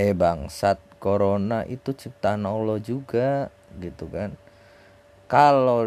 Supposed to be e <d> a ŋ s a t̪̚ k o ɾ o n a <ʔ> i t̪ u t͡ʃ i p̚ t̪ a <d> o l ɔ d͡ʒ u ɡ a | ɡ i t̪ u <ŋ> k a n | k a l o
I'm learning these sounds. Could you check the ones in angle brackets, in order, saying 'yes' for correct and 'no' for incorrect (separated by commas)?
no, yes, no, no